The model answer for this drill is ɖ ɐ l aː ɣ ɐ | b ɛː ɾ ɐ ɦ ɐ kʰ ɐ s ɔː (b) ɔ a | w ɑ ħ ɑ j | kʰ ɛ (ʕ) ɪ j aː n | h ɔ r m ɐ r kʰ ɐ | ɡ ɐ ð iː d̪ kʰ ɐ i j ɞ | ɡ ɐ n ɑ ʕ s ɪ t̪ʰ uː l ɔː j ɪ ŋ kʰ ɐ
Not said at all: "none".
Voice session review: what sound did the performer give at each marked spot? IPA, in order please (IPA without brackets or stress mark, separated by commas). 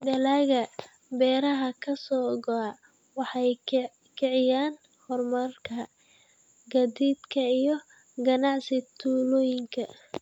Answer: ɡ, ʕ